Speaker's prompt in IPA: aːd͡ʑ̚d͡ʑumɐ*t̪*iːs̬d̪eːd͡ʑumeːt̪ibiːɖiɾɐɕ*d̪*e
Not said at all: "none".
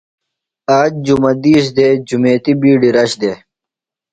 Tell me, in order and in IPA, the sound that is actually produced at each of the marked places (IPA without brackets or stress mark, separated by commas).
d̪, d̪